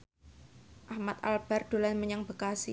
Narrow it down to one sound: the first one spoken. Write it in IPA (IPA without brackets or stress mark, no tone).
ʔ